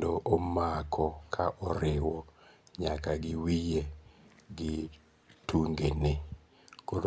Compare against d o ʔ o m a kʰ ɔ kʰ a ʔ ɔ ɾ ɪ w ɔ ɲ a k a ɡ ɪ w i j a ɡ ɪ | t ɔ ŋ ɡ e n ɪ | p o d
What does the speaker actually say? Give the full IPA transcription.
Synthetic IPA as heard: d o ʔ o m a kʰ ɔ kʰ a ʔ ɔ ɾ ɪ w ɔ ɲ a k a ɡ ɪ w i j e ɡ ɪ | t u ŋ ɡ e n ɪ | k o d